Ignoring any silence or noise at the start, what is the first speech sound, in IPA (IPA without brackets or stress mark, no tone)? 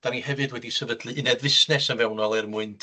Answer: d̥